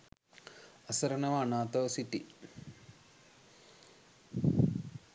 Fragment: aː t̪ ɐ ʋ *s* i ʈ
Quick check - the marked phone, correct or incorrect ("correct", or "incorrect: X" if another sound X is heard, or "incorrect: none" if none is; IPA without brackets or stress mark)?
correct